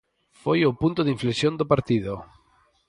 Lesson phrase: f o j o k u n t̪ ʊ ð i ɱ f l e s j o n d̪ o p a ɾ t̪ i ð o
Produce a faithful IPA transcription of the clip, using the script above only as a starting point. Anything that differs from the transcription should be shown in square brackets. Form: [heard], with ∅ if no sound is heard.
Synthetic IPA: f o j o [p] u n t̪ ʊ ð i ɱ f l e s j o n d̪ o p a ɾ t̪ i ð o